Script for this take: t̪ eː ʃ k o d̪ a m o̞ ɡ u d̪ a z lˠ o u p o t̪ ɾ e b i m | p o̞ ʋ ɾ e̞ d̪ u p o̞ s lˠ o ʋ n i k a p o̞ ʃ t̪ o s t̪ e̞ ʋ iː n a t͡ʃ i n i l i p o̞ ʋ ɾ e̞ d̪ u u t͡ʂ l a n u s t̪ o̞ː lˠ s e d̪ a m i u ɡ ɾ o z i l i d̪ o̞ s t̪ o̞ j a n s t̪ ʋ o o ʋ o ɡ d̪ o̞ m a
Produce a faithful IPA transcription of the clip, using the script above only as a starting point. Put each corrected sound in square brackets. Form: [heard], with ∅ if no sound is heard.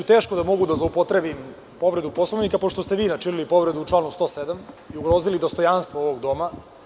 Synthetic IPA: t̪ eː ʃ k o d̪ a m o̞ ɡ u d̪ a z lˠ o u p o t̪ ɾ e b i m | p o̞ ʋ ɾ e̞ d̪ u p o̞ s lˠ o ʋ n i k a p o̞ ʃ t̪ o s t̪ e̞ ʋ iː n a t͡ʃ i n i l i p o̞ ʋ ɾ e̞ d̪ u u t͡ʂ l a n u s t̪ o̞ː [∅] s e d̪ a m i u ɡ ɾ o z i l i d̪ o̞ s t̪ o̞ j a n s t̪ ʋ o o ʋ o ɡ d̪ o̞ m a